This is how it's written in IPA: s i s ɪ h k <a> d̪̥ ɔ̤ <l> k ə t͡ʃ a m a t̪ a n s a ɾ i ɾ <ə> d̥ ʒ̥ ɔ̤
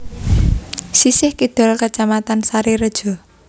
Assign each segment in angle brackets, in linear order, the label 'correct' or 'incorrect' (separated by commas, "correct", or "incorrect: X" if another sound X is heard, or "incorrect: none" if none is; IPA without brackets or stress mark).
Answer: incorrect: i, correct, correct